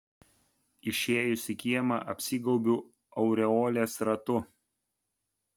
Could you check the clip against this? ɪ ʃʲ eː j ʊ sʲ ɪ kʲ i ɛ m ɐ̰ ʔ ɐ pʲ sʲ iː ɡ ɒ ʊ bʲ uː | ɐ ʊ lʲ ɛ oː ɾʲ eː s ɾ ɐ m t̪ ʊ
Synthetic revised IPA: ɪ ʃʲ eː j ʊ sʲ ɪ kʲ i ɛ m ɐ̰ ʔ ɐ pʲ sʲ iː ɡ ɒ ʊ bʲ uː | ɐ ʊ ɾʲ ɛ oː lʲ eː s ɾ ɐ t̪ ʊ